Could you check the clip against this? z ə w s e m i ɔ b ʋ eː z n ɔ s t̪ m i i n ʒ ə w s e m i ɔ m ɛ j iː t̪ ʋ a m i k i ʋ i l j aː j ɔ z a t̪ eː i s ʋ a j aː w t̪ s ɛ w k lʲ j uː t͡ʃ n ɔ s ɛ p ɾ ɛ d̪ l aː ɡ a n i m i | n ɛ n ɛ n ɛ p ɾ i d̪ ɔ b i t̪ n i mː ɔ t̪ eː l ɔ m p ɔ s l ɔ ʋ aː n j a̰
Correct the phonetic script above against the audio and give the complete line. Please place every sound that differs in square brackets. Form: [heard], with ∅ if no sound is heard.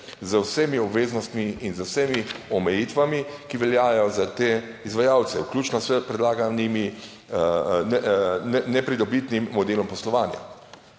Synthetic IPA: z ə w s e m i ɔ b ʋ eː z n ɔ s t̪ m i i n [z] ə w s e m i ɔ m ɛ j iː t̪ ʋ a m i k i ʋ [ɛ] l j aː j ɔ z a t̪ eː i [z] ʋ a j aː w t̪ s ɛ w k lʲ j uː t͡ʃ n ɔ s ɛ p ɾ ɛ d̪ l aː ɡ a n i m i | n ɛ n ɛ n ɛ p ɾ i d̪ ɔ b i t̪ n i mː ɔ [d̪] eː l ɔ m p ɔ s l ɔ ʋ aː n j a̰